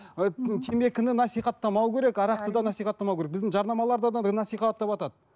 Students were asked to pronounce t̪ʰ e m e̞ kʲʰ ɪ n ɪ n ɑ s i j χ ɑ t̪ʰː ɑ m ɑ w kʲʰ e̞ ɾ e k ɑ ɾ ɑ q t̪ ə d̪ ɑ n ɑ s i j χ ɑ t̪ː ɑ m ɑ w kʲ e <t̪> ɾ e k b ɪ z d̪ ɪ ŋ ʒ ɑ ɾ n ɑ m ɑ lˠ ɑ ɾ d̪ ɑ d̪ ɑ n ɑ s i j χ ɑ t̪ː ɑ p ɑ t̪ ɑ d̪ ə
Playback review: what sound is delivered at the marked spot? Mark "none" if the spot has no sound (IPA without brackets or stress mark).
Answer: none